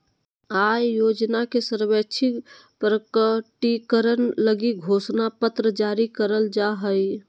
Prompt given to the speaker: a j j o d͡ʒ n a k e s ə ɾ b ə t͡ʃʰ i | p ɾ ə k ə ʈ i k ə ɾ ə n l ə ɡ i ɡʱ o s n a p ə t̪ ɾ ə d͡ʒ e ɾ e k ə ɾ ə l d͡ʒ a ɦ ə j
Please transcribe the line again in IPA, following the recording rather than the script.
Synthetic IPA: a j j o d͡ʒ n a k e s ə ɾ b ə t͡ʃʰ i | p ɾ ə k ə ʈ i k ə ɾ ə n l ə ɡ i ɡʱ o s n a p ə t̪ ɾ ə d͡ʒ a ɾ i k ə ɾ ə l d͡ʒ a ɦ ə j